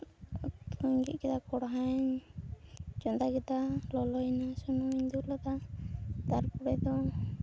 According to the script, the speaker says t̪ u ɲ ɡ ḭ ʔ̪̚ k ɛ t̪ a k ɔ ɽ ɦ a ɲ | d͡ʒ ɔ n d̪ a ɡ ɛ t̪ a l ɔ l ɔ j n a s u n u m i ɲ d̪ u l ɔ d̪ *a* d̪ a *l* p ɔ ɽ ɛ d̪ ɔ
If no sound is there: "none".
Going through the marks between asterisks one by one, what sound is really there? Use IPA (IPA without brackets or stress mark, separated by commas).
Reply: a, ɾ